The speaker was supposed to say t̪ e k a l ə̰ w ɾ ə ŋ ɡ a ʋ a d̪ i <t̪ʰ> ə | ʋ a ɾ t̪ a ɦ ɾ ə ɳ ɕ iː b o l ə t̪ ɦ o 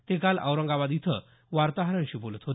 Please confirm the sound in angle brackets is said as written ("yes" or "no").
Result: yes